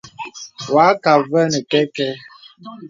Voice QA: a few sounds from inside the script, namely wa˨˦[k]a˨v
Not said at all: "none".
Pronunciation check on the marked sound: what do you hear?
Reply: k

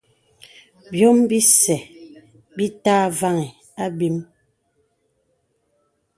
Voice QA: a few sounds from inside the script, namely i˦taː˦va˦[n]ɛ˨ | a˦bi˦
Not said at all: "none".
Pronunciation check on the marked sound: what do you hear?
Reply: ŋ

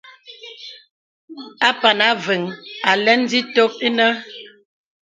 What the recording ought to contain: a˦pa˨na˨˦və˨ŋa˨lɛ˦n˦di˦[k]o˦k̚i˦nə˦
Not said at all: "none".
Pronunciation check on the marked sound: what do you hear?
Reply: t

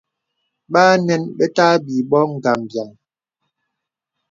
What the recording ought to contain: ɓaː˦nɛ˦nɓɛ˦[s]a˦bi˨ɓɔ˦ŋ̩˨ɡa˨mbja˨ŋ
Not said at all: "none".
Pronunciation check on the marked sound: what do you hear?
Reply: t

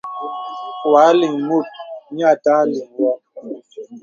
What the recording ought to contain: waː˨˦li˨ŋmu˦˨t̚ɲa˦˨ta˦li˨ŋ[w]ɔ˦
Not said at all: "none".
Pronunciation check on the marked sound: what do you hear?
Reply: w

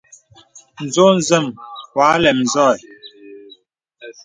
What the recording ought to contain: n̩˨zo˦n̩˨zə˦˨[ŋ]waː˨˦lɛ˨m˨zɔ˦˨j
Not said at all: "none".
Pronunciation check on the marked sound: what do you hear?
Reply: m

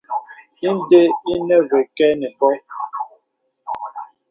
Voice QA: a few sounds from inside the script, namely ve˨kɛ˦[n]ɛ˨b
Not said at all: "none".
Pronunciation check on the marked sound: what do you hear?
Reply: n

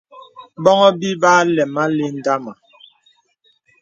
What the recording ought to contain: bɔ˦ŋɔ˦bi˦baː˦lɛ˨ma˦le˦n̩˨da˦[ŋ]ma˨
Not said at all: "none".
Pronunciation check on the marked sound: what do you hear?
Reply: none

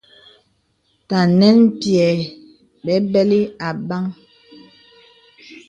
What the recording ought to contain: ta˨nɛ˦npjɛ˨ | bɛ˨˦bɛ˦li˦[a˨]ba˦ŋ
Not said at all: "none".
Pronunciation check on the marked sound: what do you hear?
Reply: a˨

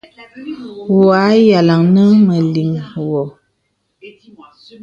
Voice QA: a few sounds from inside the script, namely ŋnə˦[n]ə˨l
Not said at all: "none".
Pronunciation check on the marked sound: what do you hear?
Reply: m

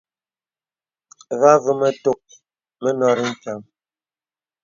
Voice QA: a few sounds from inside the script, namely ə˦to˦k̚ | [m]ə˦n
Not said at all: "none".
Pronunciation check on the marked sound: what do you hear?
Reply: m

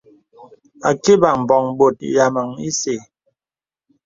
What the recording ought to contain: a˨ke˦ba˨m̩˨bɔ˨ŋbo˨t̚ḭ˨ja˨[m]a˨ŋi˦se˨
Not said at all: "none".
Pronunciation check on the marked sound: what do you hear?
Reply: m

